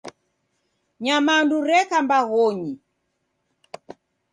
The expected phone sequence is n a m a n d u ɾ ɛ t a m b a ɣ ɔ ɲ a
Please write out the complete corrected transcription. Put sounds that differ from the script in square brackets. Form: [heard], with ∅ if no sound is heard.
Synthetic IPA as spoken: [ɲ] a m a n d u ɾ ɛ [k] a m b a ɣ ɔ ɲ [i]